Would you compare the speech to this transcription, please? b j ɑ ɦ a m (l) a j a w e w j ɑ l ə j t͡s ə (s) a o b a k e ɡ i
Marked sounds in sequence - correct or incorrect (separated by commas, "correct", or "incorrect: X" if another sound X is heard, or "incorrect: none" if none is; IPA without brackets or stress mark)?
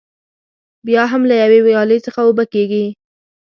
correct, incorrect: x